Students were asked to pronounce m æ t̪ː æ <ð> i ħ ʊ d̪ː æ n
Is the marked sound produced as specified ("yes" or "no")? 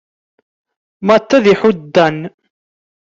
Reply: yes